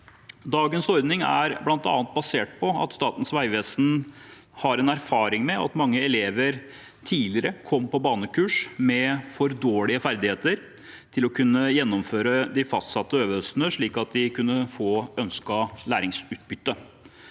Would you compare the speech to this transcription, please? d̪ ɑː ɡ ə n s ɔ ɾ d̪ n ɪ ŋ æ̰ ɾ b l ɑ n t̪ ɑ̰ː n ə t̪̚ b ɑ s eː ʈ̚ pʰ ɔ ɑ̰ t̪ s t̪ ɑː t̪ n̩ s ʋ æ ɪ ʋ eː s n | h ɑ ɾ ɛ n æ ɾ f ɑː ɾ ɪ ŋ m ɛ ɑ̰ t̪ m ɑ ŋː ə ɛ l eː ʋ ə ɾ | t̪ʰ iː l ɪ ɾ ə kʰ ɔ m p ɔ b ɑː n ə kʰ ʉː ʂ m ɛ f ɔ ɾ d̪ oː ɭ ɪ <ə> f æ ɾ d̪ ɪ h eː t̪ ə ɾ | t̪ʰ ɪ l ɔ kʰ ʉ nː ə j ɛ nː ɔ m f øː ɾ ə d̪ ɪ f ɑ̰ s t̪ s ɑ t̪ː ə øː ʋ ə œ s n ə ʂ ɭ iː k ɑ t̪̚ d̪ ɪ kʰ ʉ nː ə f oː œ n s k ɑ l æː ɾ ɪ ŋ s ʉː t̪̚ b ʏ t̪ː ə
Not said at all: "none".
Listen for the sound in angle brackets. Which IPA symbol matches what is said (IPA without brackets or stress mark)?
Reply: ə